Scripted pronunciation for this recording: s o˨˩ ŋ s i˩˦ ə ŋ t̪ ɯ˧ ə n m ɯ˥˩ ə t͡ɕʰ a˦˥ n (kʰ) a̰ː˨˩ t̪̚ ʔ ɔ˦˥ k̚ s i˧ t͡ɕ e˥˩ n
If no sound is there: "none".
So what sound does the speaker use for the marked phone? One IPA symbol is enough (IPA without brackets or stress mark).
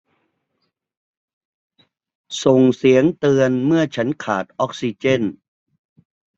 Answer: kʰ